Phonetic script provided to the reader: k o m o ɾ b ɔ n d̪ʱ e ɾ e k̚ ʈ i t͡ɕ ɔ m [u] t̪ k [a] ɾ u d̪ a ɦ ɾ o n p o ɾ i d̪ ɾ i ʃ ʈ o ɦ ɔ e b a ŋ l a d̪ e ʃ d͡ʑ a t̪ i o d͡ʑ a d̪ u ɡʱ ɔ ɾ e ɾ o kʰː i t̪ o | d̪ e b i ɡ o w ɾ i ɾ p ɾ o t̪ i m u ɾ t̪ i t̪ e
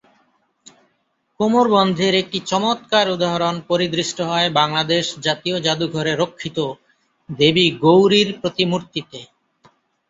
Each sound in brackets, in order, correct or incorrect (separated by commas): incorrect, correct